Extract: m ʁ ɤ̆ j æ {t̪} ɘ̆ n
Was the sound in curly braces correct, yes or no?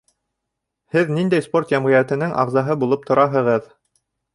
yes